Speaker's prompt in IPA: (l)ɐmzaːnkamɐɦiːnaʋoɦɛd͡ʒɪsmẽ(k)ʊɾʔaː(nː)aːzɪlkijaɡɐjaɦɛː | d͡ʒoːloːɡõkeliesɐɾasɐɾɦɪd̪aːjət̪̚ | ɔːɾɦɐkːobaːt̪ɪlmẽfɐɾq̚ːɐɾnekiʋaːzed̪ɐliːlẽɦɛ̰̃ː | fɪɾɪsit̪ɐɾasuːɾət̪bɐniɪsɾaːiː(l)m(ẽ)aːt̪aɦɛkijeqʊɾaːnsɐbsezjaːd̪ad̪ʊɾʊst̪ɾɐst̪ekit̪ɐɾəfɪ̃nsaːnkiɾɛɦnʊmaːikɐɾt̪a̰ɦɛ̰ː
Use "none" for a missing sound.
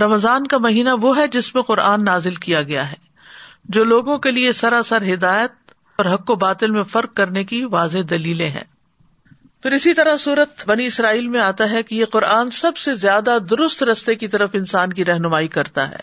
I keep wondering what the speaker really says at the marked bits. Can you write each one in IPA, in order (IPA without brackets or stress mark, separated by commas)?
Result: ɾ, q, nː, l, ẽ